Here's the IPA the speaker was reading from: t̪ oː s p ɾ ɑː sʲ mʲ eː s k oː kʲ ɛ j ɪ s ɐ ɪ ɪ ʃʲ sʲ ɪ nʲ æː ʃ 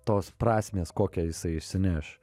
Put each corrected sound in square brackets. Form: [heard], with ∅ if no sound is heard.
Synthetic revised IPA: t̪ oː s p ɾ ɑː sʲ mʲ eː s k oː kʲ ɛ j ɪ s ɐ ɪ ɪ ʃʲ sʲ ɪ nʲ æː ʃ